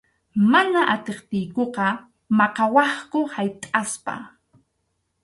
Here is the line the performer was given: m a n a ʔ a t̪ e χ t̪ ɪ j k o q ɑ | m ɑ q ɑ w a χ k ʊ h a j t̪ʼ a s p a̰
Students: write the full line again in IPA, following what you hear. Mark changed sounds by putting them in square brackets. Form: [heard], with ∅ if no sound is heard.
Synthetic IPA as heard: m a n a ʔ a t̪ e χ t̪ ɪ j k o q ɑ | m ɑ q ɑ w [ɑ] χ k ʊ h a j t̪ʼ a s p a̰